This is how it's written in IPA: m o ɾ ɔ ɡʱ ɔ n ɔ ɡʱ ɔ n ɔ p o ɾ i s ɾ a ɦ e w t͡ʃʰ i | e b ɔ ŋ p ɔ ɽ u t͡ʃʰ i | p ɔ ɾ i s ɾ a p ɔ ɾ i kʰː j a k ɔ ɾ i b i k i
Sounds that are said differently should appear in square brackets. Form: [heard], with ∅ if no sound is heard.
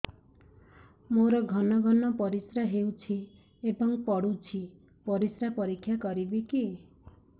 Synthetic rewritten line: m o ɾ ɔ ɡʱ ɔ n ɔ ɡʱ ɔ n ɔ p [ɔ] ɾ i s ɾ a ɦ e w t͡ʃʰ i | e b ɔ ŋ p ɔ ɽ u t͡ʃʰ i | p ɔ ɾ i s ɾ a p ɔ ɾ i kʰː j a k ɔ ɾ i b i k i

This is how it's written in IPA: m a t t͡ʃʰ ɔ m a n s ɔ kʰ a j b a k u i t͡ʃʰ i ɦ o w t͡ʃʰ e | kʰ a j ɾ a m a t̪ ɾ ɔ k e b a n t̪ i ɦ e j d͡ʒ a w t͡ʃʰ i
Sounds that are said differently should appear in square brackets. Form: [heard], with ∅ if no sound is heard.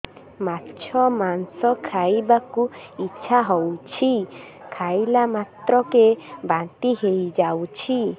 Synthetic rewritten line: m a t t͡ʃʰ ɔ m a n s ɔ kʰ a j b a k u i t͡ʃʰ [a] ɦ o w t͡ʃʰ [i] | kʰ a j [l] a m a t̪ ɾ ɔ k e b a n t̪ i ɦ e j d͡ʒ a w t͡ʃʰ i

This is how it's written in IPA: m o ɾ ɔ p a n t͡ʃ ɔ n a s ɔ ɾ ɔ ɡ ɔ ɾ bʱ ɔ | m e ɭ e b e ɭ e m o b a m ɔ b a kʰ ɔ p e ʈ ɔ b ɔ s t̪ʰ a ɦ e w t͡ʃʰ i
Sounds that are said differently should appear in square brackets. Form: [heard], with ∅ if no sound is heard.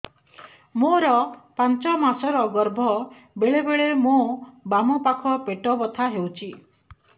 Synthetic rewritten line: m o ɾ ɔ p a n t͡ʃ ɔ [m] a s ɔ ɾ ɔ ɡ ɔ ɾ bʱ ɔ | [b] e ɭ e b e ɭ e m o b a m ɔ [p] a kʰ ɔ p e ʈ ɔ b ɔ [∅] t̪ʰ a ɦ e w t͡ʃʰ i

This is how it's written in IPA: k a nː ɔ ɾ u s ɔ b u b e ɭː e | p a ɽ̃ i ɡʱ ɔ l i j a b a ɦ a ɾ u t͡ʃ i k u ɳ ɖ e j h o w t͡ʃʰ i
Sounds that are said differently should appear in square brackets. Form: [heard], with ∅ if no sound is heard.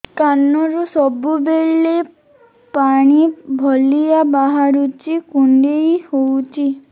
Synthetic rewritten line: k a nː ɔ ɾ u s ɔ b u b e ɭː e | p a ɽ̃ i [bʱ] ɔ l i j a b a ɦ a ɾ u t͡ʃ i k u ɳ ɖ e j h o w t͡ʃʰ i

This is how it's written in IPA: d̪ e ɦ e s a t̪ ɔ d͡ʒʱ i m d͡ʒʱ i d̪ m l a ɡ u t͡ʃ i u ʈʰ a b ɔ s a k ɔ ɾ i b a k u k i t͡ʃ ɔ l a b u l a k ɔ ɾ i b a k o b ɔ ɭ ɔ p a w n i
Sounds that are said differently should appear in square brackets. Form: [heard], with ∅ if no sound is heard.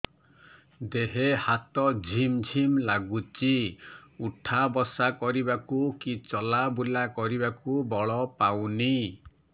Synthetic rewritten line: d̪ e ɦ e [h] a t̪ ɔ d͡ʒʱ i m d͡ʒʱ i [∅] m l a ɡ u t͡ʃ i u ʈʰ a b ɔ s a k ɔ ɾ i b a k u k i t͡ʃ ɔ l a b u l a k ɔ ɾ i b a k [u] b ɔ ɭ ɔ p a w n i

